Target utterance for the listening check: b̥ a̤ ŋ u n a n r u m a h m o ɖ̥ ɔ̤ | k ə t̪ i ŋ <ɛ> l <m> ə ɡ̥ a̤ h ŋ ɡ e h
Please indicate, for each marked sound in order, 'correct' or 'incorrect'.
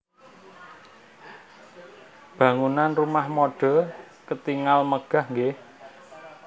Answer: incorrect: a, correct

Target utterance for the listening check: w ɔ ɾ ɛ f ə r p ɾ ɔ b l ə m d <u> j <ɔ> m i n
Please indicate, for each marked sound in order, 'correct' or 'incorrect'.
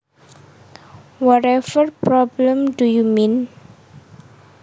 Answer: correct, incorrect: u

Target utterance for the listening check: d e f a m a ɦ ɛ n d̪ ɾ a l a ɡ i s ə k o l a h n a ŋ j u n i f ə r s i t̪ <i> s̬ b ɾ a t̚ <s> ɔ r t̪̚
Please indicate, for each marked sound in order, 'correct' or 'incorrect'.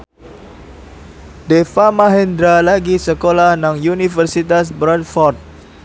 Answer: incorrect: a, incorrect: f

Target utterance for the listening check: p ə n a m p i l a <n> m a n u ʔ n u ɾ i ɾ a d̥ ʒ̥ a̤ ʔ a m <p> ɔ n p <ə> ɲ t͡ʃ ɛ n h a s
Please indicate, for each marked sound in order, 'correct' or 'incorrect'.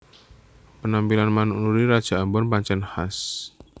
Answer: correct, incorrect: b, incorrect: a

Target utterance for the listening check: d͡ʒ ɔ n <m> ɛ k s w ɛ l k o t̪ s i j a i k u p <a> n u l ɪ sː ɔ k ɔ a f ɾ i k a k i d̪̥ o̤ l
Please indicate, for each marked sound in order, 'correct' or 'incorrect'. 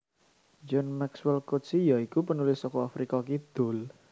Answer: correct, incorrect: ə

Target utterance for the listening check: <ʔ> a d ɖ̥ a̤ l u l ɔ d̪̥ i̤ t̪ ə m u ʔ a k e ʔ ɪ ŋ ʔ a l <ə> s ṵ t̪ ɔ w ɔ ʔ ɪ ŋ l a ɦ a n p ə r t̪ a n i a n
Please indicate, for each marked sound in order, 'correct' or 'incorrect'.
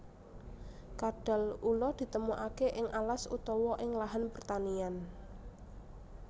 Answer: incorrect: k, incorrect: a

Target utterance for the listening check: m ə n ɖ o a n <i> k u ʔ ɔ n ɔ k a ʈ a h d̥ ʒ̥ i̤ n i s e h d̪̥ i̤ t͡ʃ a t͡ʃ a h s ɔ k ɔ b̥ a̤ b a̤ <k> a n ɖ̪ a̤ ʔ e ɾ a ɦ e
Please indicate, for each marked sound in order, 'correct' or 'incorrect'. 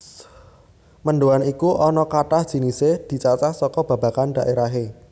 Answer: correct, correct

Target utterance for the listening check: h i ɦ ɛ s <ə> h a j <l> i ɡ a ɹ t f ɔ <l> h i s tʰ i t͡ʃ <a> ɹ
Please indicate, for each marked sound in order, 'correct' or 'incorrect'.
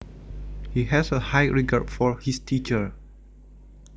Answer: correct, incorrect: ɹ, incorrect: ɹ, incorrect: ə

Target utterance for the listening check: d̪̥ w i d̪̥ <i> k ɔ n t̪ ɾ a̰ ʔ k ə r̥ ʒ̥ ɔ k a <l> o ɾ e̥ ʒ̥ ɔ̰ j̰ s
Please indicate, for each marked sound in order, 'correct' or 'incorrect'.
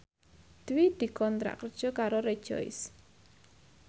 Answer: correct, incorrect: ɾ

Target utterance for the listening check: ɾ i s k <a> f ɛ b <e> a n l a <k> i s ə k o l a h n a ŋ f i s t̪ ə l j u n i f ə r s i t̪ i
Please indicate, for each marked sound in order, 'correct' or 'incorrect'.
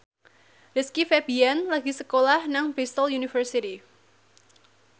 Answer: incorrect: i, incorrect: i, incorrect: ɡ

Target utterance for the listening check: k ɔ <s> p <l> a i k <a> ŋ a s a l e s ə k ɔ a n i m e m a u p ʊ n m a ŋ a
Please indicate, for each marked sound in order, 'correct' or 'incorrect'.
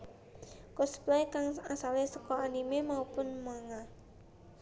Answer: correct, correct, correct

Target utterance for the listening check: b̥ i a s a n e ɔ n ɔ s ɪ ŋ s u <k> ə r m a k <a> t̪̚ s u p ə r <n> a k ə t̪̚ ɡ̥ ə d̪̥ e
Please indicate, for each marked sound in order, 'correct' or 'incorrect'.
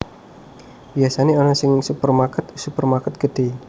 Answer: incorrect: p, incorrect: ə, incorrect: m

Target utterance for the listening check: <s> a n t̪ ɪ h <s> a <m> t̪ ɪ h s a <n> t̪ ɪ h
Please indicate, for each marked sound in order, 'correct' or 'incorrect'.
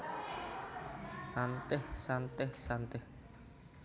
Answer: correct, correct, incorrect: n, correct

